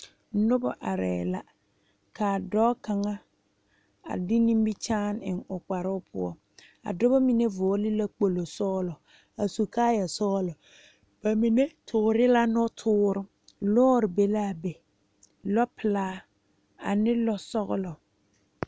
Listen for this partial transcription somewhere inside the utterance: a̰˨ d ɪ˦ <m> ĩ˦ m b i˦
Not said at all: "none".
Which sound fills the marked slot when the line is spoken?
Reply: n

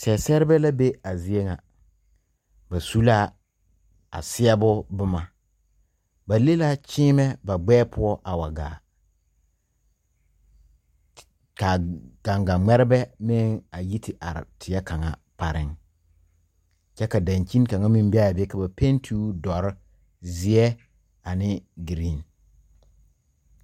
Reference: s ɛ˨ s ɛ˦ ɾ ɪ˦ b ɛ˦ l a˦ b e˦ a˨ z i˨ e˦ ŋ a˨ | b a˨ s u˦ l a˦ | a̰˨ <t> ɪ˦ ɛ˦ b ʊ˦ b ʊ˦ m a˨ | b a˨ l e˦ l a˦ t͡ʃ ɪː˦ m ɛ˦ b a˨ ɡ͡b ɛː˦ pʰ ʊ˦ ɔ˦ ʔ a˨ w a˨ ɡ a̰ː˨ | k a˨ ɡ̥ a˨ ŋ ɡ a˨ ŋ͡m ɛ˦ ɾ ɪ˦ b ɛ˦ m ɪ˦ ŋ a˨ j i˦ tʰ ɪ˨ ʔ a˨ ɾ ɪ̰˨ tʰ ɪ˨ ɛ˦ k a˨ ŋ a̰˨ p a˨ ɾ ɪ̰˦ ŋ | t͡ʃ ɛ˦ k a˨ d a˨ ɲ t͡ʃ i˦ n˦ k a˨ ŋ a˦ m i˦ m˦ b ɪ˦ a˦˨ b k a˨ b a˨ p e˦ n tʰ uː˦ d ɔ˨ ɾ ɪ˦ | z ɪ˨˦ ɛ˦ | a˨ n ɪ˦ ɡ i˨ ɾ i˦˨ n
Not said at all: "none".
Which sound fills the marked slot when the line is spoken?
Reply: s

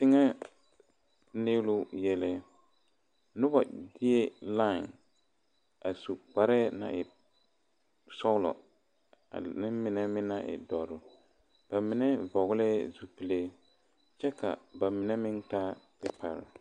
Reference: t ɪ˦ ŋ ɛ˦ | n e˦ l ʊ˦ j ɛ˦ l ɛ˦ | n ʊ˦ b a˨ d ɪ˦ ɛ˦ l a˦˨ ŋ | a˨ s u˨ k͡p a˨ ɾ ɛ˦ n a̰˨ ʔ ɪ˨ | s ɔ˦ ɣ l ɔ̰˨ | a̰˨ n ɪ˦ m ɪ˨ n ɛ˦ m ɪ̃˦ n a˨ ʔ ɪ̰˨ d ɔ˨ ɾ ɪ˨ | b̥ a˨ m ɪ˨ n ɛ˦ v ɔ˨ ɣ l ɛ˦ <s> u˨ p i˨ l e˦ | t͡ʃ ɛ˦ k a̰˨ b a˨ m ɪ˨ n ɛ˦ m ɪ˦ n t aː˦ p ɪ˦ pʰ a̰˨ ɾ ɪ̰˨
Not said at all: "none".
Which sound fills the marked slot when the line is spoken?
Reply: z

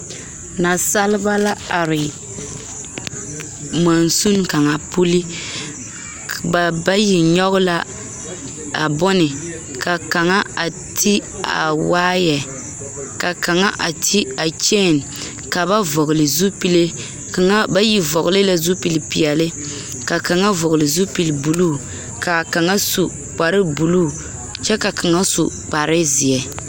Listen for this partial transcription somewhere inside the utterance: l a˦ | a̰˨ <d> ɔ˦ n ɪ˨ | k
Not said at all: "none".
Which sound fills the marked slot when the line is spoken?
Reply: b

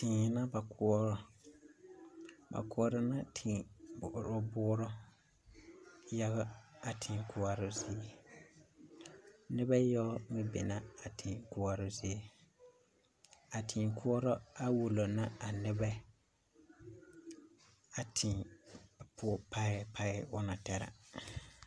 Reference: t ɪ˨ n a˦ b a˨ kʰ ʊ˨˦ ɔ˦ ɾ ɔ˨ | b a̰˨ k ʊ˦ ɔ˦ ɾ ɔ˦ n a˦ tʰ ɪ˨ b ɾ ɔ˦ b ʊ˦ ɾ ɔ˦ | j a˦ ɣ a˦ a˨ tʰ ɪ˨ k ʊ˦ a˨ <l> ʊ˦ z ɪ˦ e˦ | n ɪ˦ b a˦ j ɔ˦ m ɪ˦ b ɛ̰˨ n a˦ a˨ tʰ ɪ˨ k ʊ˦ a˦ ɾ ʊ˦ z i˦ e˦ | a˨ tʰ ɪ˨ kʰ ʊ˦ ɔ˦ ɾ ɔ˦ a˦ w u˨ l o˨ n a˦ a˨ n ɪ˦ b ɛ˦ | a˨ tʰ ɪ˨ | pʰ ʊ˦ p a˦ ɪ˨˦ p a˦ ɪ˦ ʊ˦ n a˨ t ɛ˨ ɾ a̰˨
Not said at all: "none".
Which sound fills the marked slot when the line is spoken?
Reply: ɾ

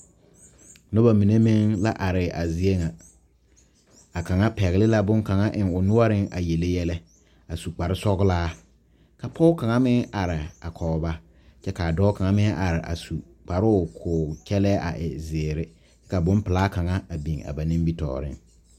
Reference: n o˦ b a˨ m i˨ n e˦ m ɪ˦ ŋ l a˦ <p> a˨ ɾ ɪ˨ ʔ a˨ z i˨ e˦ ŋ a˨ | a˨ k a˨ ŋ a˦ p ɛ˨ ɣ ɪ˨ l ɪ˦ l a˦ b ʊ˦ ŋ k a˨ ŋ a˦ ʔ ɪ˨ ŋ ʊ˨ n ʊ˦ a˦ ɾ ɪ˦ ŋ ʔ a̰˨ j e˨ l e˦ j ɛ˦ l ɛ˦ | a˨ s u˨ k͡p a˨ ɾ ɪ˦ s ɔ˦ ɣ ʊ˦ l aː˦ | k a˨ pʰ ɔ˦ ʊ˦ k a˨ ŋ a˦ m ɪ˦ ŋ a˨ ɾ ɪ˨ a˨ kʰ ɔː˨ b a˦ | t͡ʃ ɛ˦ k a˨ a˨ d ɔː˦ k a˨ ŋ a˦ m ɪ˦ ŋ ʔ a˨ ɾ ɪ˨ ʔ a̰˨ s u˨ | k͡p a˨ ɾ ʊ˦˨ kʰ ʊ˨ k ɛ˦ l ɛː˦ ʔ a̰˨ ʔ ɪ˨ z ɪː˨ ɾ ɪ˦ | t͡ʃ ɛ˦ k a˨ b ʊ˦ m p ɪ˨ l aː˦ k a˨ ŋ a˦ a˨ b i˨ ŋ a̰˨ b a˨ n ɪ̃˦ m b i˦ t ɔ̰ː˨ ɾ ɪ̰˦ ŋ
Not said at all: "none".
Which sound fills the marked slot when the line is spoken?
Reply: ʔ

